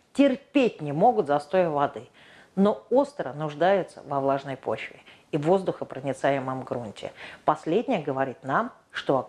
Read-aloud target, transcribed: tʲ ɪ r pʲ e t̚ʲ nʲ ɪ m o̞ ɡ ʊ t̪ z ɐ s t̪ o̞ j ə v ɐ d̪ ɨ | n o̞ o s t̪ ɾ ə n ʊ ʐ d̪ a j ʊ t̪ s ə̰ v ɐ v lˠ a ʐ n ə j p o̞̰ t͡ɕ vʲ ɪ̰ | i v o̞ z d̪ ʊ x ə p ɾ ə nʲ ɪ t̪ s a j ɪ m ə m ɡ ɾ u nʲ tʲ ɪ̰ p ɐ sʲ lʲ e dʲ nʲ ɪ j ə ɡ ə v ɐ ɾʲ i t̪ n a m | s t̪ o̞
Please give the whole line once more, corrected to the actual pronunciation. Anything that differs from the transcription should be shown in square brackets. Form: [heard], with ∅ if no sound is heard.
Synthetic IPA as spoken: tʲ ɪ r pʲ e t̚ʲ nʲ ɪ m o̞ ɡ ʊ t̪ z ɐ s t̪ o̞ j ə v ɐ d̪ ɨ | n o̞ o s t̪ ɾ ə n ʊ ʐ d̪ a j ʊ t̪ s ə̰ v ɐ v lˠ a ʐ n ə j p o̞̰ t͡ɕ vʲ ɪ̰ | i v o̞ z d̪ ʊ x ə p ɾ ə nʲ ɪ t̪ s a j ɪ m ə m ɡ ɾ u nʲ tʲ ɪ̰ p ɐ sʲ lʲ e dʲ nʲ ɪ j ə ɡ ə v ɐ ɾʲ i t̪ n a m | [ʂ] t̪ o̞